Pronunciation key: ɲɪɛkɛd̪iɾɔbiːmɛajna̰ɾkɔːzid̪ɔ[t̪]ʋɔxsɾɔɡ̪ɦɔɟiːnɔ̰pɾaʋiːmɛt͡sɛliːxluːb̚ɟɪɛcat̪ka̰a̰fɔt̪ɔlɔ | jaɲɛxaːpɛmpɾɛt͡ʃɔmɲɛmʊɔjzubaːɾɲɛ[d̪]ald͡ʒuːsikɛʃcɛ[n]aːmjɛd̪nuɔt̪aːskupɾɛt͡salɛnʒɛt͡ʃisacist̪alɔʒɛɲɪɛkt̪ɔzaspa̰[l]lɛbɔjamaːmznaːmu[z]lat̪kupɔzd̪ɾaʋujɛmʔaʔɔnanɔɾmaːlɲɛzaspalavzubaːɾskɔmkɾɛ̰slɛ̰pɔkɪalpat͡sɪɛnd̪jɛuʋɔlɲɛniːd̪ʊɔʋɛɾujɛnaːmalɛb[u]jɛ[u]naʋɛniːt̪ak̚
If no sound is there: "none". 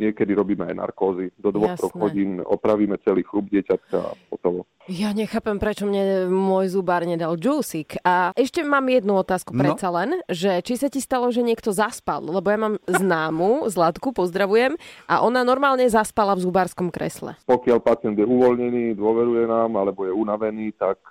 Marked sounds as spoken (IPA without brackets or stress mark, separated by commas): d̪, d̪, m, l, z, ɔ, u